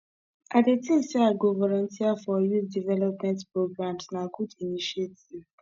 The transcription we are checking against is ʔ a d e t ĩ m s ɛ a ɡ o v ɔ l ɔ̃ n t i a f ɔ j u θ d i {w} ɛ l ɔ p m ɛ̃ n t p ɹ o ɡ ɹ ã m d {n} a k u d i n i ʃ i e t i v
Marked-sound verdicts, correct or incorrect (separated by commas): incorrect, correct